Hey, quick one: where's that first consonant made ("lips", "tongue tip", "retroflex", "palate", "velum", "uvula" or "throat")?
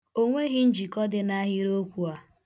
velum